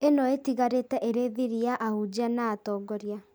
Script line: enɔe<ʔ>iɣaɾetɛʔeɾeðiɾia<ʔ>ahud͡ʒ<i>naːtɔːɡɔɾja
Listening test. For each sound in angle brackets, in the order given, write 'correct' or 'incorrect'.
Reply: incorrect, correct, incorrect

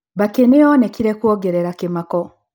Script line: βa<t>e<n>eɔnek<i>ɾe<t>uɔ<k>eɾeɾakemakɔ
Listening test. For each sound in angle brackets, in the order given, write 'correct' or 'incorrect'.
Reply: incorrect, correct, correct, incorrect, incorrect

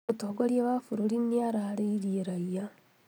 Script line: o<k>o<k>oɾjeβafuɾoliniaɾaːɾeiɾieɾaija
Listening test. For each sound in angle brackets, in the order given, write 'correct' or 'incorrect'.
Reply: incorrect, incorrect

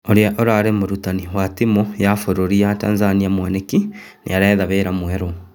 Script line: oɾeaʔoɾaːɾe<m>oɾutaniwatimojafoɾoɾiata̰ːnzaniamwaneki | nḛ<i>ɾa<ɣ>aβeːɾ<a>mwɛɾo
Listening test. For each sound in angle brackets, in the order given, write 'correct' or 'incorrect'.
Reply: correct, incorrect, incorrect, correct

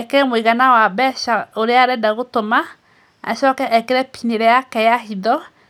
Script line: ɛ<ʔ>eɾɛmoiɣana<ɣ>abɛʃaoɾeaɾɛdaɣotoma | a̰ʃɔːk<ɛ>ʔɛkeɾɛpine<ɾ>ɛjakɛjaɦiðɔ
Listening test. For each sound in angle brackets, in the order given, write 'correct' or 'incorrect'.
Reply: incorrect, incorrect, correct, correct

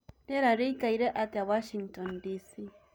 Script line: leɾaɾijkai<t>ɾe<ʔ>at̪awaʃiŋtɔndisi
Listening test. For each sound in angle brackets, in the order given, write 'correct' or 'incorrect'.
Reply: incorrect, correct

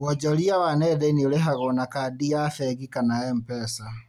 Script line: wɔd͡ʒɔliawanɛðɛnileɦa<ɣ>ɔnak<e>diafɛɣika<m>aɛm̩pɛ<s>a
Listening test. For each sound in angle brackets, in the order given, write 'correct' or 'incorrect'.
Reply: correct, incorrect, incorrect, correct

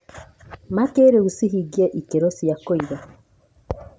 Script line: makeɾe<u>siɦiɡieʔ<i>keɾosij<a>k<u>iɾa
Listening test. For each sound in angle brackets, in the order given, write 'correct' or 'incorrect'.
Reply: correct, correct, correct, incorrect

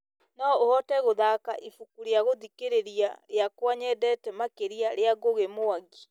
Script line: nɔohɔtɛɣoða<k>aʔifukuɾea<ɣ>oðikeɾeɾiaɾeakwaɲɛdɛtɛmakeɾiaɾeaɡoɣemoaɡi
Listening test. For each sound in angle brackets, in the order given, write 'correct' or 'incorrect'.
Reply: correct, correct

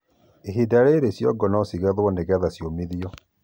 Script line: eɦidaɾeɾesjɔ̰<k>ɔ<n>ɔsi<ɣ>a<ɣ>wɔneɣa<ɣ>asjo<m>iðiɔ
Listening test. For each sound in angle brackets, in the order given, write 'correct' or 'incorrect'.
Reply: incorrect, correct, correct, incorrect, incorrect, correct

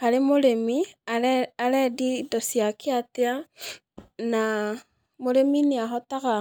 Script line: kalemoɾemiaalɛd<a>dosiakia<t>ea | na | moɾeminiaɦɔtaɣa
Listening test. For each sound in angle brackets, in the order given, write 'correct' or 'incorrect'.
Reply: incorrect, correct

